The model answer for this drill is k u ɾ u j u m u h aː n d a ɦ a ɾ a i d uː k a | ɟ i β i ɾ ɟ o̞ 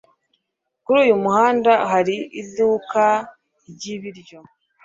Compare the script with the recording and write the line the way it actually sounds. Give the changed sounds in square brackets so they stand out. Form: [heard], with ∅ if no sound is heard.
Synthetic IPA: k u ɾ [uː] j u m u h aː n d a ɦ a ɾ [i] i d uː k a | ɟ i β i ɾ ɟ o̞

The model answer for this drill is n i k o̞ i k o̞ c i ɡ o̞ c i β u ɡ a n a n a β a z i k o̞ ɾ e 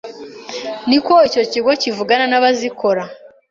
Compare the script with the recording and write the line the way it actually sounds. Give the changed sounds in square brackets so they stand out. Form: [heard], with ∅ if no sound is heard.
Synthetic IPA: n i k o̞ i [c] o̞ c i ɡ o̞ c i [v] u ɡ a n a n a β a z i k o̞ ɾ [a]

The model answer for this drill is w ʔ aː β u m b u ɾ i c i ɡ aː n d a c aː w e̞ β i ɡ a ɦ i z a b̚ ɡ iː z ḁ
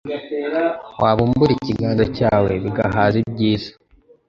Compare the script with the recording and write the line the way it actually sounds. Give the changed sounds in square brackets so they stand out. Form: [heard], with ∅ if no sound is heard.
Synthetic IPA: w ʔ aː β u m b u ɾ i c i ɡ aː n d a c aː w e̞ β i ɡ a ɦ [a] z [i] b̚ [ɟ] iː z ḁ

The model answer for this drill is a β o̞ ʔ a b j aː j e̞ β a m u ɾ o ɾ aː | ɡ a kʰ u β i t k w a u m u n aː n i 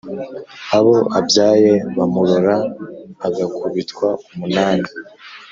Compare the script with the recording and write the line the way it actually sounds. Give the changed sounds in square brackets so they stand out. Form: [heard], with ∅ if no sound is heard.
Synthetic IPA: a β o̞ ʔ a b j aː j e̞ β a m u ɾ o ɾ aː | ɡ a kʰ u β i t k w a u m u n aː n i

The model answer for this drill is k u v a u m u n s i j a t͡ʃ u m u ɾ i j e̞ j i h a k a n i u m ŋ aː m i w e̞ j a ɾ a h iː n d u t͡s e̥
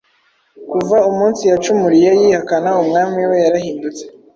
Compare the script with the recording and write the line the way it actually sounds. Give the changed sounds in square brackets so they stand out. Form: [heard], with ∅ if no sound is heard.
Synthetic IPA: k u v a u m [uː] n s i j a t͡ʃ u m u ɾ i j e̞ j i h a k a n [a] u m ŋ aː m i w e̞ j a ɾ a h iː n d u t͡s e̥

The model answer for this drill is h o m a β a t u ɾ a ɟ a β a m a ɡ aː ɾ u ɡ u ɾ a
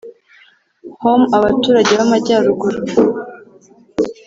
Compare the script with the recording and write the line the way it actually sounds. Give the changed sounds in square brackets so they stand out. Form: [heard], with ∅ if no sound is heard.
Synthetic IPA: h o m a β a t [uː] ɾ a ɟ [e] β a m a [ɟ] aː ɾ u ɡ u ɾ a

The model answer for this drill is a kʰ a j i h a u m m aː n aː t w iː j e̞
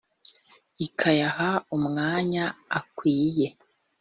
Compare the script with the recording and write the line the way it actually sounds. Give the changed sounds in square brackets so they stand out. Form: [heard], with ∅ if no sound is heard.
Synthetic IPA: [i] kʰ a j [a] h a u m [ŋ] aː [ɲ] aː [k] w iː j e̞

